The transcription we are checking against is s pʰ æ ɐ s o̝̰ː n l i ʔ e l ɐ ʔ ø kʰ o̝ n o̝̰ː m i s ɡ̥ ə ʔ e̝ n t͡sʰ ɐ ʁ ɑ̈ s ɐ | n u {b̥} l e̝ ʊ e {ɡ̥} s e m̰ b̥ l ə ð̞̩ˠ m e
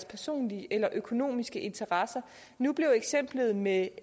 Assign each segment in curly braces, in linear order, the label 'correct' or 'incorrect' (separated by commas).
correct, correct